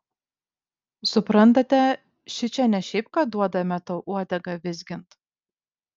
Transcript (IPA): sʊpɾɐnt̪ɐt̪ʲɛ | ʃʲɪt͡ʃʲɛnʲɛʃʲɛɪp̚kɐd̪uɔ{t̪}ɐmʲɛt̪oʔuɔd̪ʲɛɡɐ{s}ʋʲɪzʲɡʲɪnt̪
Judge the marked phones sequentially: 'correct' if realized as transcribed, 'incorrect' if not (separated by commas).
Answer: incorrect, incorrect